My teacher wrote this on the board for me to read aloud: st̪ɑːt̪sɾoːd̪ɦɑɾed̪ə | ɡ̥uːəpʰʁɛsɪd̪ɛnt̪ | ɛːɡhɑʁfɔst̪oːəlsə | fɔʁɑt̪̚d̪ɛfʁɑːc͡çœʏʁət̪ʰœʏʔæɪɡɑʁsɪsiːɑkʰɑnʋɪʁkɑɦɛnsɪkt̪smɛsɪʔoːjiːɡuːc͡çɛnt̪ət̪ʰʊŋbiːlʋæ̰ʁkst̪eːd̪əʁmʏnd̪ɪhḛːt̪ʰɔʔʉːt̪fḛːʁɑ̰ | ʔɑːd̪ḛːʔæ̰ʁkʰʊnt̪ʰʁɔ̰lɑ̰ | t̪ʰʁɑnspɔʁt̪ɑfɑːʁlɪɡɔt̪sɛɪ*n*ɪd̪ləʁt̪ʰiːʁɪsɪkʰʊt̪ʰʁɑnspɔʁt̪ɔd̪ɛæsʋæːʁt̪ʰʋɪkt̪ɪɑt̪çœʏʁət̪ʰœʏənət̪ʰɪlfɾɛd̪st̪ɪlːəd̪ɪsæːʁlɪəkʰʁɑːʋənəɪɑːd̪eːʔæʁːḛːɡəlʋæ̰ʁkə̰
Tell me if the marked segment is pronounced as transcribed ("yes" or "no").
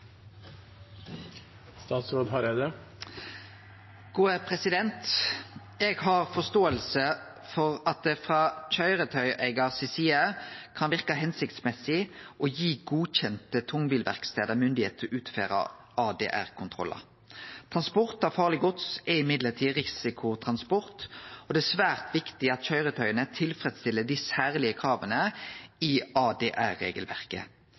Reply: no